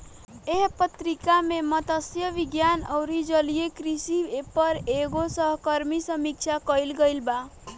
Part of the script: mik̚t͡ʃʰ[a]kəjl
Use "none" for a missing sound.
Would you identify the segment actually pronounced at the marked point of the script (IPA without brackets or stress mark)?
a